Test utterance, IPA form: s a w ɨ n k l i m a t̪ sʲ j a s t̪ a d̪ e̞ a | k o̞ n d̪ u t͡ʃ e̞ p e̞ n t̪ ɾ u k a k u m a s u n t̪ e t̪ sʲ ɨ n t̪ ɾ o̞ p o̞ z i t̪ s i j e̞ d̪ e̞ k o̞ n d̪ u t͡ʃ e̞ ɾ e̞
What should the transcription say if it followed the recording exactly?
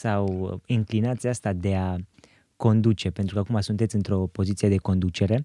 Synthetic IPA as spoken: s a w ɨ ŋ k l i n a t̪ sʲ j a s t̪ a d̪ e̞ a | k o̞ n d̪ u t͡ʃ e̞ p e̞ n t̪ ɾ u k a k u m a s u n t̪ e t̪ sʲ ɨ n t̪ ɾ o̞ p o̞ z i t̪ s i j e̞ d̪ e̞ k o̞ n d̪ u t͡ʃ e̞ ɾ e̞